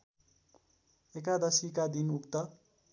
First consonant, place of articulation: velar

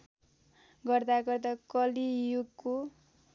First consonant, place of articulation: velar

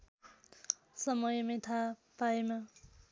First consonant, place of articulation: alveolar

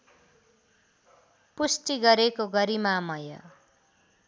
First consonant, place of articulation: labial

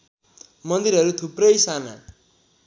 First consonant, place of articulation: labial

